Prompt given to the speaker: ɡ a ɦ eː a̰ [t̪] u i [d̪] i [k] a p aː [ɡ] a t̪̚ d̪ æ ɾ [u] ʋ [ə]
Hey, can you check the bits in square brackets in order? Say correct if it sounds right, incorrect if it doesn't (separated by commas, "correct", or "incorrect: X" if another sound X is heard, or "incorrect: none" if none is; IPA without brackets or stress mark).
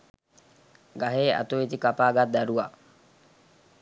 correct, incorrect: t̪, correct, correct, correct, incorrect: a